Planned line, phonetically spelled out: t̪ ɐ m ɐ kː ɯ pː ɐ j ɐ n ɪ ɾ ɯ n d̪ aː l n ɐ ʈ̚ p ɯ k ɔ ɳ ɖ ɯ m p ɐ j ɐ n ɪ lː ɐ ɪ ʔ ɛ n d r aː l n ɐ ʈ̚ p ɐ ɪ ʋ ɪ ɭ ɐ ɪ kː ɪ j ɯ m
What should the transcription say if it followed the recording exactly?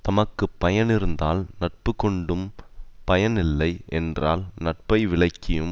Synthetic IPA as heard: t̪ ɐ m ɐ kː ɯ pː ɐ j ɐ n ɪ ɾ ɯ n d̪ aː l n ɐ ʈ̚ p ɯ k ɔ ɳ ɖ ɯ m p ɐ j ɐ n ɪ lː ɐ ɪ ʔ ɛ n d r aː l n ɐ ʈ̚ p ɐ ɪ ʋ ɪ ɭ ɐ ɪ kː ɪ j ɯ m